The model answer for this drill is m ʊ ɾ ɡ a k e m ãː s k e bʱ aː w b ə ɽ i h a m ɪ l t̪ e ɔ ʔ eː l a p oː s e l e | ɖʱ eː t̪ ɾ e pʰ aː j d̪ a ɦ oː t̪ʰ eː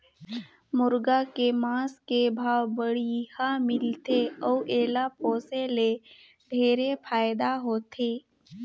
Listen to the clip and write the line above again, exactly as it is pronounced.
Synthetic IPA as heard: m ʊ ɾ ɡ a k e m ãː s k e bʱ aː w b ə ɽ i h a m ɪ l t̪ e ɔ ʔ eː l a p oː s e l e | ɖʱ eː ɾ e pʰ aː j d̪ a ɦ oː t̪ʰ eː